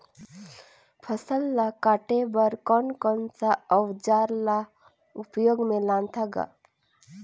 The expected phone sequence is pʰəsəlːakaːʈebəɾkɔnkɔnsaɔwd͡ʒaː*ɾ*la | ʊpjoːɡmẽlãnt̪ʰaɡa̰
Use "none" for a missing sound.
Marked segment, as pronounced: ɾ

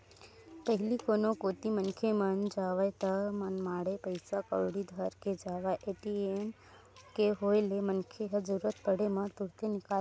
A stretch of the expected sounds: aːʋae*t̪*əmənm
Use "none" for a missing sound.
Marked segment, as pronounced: t̪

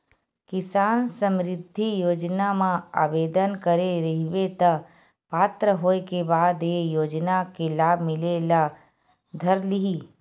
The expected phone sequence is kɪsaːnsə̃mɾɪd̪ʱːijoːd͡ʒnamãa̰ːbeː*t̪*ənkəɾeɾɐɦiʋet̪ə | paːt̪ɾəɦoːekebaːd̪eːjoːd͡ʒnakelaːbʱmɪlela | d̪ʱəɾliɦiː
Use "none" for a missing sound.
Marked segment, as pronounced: d̪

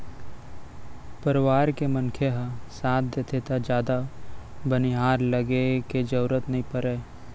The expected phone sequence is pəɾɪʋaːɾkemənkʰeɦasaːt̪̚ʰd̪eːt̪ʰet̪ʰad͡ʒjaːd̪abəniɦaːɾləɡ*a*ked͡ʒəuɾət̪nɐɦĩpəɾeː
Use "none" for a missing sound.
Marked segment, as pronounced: e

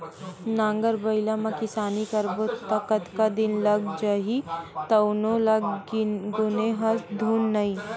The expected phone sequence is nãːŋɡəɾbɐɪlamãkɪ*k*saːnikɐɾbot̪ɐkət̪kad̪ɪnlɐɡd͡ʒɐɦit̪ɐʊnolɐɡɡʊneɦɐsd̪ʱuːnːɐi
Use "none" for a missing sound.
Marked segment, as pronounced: none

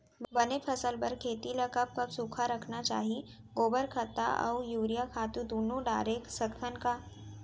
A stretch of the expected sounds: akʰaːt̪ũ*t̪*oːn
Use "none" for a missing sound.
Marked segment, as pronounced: d̪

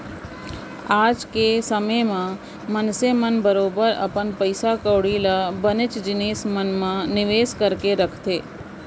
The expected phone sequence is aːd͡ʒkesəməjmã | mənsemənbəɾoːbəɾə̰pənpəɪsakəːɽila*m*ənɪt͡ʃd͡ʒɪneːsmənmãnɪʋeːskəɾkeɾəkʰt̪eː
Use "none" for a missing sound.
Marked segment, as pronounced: b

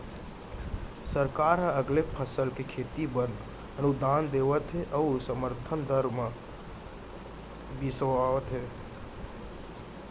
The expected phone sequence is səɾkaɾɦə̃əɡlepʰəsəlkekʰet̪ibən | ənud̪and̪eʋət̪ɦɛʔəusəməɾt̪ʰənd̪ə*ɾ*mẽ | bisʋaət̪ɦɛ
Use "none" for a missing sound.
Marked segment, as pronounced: ɾ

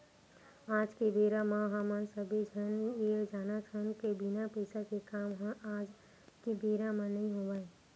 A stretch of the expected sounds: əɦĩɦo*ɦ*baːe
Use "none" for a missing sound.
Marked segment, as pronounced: none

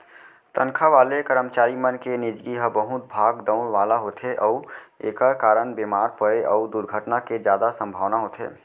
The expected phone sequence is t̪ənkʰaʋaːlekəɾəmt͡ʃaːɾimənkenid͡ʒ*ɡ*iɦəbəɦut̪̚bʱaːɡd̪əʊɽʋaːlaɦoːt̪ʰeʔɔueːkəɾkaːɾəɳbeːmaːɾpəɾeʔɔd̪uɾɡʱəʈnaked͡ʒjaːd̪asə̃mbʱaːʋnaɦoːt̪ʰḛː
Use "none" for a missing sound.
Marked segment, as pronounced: ɡ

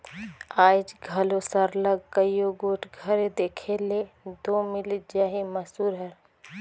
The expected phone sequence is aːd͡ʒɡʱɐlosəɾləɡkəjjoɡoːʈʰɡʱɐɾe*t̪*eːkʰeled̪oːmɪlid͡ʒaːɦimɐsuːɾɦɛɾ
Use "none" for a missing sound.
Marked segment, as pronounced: d̪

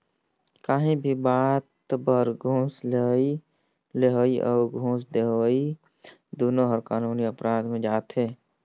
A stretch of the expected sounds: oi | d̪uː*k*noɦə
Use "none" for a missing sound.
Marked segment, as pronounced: none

